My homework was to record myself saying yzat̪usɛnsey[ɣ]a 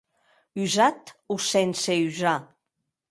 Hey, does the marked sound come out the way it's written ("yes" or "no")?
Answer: no